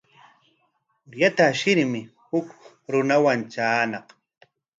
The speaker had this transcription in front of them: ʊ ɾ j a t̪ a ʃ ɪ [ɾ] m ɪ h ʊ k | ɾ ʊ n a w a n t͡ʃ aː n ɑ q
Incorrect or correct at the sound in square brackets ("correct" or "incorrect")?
correct